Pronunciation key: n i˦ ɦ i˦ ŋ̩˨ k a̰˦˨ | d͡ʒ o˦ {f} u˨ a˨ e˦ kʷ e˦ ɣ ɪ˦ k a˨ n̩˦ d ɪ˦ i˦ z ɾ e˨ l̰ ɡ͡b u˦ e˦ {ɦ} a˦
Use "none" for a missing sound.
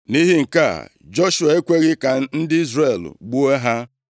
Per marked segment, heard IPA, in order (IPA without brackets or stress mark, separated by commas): ʃ, ɦ